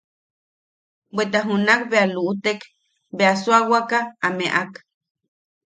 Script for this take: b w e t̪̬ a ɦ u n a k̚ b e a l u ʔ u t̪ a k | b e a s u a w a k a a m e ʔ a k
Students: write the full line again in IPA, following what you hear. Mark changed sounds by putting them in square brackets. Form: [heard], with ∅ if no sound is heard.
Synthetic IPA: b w e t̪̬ a ɦ u n a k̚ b e a l u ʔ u t̪ [e] k | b e a s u a w a k a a m e ʔ a k